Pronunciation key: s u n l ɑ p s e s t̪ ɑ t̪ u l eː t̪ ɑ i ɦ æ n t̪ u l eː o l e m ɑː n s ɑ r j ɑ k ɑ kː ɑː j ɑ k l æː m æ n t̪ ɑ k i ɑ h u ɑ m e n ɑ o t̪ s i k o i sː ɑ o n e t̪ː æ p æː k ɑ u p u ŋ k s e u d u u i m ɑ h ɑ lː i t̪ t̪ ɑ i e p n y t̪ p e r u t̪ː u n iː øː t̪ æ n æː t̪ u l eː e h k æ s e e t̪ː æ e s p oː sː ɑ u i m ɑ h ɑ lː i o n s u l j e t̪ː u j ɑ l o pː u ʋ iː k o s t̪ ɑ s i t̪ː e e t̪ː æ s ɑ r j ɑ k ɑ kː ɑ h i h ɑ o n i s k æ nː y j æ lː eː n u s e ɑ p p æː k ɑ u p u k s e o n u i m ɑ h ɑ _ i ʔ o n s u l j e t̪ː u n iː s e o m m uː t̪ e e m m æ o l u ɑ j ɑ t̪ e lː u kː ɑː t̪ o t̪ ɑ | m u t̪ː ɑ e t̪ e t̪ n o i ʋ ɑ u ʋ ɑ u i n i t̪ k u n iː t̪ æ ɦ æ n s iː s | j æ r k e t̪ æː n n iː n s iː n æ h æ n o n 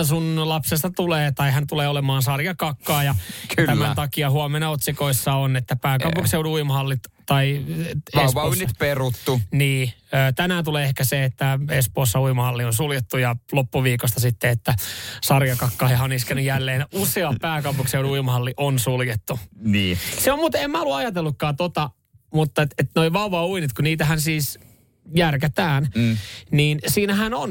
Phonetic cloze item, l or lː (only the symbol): lː